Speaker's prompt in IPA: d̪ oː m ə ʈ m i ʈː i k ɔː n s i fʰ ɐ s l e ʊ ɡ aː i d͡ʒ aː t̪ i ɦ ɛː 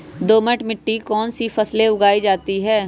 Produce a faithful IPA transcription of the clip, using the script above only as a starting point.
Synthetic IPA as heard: d̪ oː m ə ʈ m ɪ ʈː i k ɔː n s i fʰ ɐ s l e ʊ ɡ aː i d͡ʒ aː t̪ i ɦ ɛː